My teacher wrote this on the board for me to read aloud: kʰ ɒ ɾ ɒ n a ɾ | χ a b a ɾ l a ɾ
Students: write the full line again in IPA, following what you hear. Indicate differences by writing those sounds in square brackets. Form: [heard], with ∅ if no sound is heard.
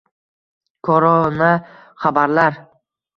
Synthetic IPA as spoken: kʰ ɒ ɾ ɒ n a [∅] | χ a b a ɾ l a ɾ